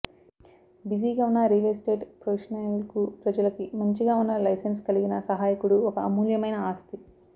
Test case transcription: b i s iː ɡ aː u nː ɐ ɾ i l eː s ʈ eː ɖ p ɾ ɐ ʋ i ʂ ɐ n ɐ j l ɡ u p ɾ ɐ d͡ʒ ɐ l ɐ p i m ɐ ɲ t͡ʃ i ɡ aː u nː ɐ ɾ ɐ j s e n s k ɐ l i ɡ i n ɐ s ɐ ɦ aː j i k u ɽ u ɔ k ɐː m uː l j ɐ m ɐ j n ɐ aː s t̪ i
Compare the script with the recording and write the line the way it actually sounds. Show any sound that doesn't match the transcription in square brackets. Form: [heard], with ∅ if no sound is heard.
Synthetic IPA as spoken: b i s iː ɡ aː u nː ɐ ɾ i l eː s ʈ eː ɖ p ɾ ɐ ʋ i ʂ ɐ n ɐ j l [k] u p ɾ ɐ d͡ʒ ɐ l ɐ [k] i m ɐ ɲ t͡ʃ i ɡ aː u nː ɐ [l] ɐ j s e n s k ɐ l i ɡ i n ɐ s ɐ ɦ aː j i k u ɽ u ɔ k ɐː m uː l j ɐ m ɐ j n ɐ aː s t̪ i